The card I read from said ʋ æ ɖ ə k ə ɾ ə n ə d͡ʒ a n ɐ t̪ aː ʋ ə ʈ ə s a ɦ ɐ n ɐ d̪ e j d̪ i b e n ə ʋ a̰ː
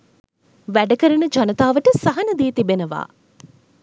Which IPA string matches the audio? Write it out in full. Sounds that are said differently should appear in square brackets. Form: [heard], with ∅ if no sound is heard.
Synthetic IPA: ʋ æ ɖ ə k ə ɾ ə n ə d͡ʒ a n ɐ t̪ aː ʋ ə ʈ ə s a ɦ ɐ n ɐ d̪ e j [t̪] i b e n ə ʋ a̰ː

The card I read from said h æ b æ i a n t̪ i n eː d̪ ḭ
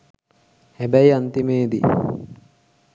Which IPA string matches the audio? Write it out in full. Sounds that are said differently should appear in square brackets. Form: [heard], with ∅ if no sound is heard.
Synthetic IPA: h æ b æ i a n t̪ i [m] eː d̪ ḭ

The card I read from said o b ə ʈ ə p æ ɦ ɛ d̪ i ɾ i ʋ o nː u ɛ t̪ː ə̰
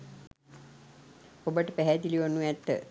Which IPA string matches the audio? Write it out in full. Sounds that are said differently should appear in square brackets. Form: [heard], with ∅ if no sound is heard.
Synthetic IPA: o b ə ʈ ə p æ ɦ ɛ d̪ i [l] i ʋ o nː u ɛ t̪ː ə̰

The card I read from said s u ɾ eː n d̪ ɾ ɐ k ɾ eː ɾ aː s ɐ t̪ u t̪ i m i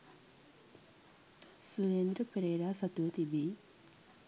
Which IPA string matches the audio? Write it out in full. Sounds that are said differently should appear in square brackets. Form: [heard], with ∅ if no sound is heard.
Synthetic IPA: s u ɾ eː n d̪ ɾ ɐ [p] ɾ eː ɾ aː s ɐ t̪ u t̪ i [b] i

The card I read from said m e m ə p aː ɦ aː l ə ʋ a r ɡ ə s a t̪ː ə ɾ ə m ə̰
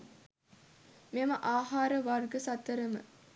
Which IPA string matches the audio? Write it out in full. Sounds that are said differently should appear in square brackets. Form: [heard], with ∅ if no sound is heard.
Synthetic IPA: m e m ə [ʔ] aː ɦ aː [ɾ] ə ʋ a r ɡ ə s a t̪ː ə ɾ ə m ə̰

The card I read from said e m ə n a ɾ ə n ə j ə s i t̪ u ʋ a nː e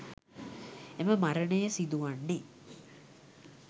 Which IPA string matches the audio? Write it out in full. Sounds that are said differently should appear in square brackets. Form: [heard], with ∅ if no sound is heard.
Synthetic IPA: e m ə [m] a ɾ ə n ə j ə s i [d̪] u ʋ a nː e

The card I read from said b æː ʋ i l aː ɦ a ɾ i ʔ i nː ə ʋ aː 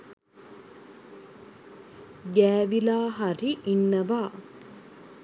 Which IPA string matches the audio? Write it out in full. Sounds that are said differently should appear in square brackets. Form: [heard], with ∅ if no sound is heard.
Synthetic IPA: [ɡ] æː ʋ i l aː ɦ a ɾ i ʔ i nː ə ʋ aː

